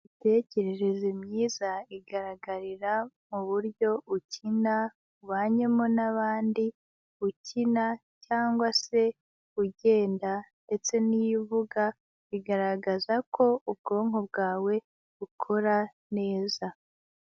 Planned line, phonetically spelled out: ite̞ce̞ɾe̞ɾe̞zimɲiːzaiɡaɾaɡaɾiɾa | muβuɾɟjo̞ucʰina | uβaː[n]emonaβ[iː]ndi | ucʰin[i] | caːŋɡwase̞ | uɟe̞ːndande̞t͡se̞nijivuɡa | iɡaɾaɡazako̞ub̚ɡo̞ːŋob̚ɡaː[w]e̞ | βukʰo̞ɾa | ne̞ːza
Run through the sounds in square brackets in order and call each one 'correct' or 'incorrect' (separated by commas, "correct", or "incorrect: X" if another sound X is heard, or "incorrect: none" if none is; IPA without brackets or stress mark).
incorrect: ɲ, incorrect: aː, incorrect: a, correct